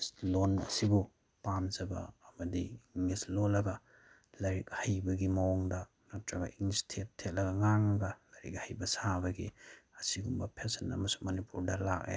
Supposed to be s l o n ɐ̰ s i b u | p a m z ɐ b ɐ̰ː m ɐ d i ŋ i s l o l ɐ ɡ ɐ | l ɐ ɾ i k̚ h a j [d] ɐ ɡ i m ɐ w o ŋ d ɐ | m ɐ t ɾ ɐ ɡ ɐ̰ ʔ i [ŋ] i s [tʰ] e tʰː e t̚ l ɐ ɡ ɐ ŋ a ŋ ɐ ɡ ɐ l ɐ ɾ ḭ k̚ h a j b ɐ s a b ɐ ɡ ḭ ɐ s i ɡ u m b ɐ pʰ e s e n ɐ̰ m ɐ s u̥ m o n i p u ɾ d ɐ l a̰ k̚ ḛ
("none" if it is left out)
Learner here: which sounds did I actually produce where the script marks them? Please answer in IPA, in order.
b, ŋ, tʰ

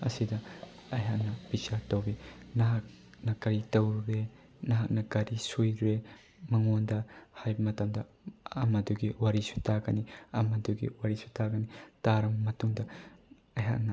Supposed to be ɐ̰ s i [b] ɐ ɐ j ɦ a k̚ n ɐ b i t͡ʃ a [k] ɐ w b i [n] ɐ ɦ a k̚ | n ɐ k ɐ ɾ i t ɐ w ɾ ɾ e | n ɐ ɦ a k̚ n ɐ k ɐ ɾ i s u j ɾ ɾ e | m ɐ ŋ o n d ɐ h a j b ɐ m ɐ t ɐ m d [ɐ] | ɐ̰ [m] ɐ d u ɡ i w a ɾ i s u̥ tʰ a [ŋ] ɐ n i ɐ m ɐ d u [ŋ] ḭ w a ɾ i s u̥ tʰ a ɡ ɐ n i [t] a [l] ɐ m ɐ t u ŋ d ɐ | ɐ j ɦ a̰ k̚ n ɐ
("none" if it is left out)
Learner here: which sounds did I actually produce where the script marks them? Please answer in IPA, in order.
d, t, n, ɐ, m, ɡ, ɡ, t, ɾ

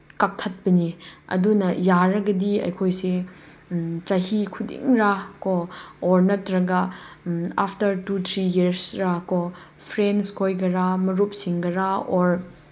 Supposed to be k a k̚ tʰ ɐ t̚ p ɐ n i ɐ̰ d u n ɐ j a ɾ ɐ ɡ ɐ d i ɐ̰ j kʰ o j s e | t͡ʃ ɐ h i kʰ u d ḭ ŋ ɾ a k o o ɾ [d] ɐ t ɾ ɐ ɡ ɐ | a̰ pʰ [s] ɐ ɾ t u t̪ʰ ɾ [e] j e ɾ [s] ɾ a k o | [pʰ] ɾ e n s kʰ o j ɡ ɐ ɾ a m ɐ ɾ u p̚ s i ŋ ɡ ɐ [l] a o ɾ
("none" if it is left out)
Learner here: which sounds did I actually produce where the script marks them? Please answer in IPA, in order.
n, t, i, s, pʰ, ɾ

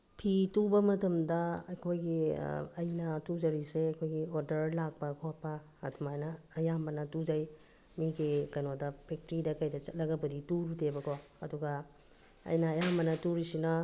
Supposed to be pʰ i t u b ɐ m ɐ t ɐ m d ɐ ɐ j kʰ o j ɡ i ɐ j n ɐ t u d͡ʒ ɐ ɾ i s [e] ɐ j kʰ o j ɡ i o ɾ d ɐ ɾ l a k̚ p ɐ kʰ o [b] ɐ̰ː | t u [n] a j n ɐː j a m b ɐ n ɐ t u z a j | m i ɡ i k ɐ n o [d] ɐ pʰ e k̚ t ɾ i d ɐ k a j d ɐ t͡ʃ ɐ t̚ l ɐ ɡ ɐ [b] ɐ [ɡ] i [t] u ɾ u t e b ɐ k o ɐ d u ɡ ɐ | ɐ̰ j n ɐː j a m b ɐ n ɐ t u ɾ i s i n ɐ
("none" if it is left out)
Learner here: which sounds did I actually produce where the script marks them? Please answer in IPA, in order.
e, p, m, d, b, d, t

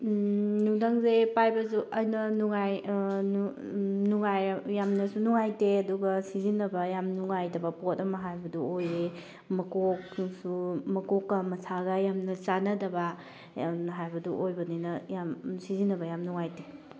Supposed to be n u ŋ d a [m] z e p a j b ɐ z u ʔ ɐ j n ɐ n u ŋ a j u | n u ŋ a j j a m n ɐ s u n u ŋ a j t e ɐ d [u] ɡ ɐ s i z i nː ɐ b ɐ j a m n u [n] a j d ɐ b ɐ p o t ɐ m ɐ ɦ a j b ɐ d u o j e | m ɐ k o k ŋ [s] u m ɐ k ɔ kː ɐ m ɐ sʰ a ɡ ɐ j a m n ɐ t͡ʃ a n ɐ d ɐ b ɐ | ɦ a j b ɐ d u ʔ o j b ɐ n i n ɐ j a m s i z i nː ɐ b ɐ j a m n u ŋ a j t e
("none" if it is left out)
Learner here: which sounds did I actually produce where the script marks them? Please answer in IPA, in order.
ŋ, u, ŋ, s

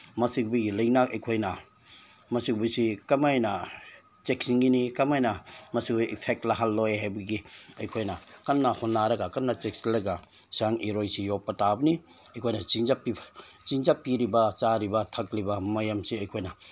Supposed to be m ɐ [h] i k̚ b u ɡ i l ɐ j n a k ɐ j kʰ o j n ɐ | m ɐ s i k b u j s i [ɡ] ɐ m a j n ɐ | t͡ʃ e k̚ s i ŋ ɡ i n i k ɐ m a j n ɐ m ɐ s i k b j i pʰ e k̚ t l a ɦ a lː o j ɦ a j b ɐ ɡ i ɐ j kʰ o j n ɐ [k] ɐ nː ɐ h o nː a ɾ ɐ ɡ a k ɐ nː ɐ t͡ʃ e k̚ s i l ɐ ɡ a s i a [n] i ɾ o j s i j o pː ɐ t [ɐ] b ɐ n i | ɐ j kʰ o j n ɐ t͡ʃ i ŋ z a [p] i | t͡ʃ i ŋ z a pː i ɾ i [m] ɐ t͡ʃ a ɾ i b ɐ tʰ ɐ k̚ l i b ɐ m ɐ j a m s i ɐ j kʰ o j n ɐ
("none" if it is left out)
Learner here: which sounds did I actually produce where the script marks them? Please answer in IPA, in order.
s, k, k, ŋ, a, p, b

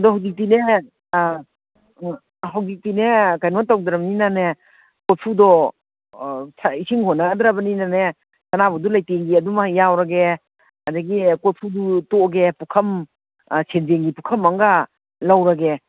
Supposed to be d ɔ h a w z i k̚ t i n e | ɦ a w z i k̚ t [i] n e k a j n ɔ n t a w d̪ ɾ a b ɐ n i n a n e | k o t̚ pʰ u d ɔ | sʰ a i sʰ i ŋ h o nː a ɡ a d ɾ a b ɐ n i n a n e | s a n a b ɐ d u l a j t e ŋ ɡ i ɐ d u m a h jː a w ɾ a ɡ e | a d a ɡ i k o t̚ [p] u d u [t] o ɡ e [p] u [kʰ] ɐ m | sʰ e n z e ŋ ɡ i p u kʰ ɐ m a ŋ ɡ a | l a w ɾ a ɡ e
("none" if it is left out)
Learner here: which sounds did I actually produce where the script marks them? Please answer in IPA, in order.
i, pʰ, t, p, kʰ

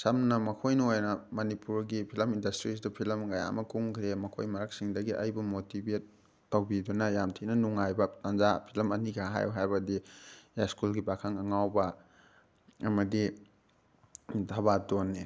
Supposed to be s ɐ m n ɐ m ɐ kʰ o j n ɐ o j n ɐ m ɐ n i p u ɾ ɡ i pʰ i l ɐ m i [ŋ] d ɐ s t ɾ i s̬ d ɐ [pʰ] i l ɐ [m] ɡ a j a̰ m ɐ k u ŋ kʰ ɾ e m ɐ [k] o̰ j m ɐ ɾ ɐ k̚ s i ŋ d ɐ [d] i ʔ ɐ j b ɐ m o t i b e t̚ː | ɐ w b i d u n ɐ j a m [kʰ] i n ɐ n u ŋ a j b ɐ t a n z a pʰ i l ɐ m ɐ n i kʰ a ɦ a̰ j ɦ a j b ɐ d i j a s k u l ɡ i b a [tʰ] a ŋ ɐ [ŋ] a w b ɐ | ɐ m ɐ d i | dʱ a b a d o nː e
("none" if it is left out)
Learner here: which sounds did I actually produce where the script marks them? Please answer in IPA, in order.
n, pʰ, m, kʰ, ɡ, tʰ, kʰ, ŋ

